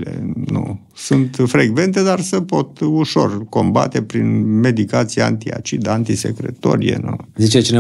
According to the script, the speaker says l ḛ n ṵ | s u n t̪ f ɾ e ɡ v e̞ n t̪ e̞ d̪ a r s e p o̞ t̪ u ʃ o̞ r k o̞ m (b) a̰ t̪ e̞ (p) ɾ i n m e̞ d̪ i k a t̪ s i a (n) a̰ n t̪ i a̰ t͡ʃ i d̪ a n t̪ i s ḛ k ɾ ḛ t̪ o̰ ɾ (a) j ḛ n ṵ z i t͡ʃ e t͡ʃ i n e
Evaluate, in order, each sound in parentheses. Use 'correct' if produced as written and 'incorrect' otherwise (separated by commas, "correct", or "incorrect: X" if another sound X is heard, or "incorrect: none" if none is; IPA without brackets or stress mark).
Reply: correct, correct, incorrect: none, incorrect: i